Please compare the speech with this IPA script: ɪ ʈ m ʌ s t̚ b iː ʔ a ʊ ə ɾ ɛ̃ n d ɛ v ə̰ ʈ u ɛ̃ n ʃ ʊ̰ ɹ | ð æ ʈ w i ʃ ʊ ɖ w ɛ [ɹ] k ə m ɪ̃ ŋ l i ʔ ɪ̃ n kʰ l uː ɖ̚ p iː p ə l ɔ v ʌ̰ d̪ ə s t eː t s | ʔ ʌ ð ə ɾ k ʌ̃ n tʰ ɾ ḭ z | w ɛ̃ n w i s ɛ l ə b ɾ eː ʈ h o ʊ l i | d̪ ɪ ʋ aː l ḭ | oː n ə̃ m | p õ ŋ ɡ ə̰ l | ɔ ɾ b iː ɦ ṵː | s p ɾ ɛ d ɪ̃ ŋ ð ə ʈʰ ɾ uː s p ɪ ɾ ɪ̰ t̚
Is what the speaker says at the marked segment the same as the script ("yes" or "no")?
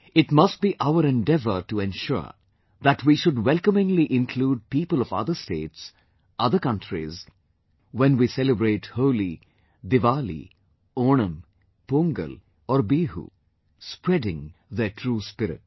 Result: no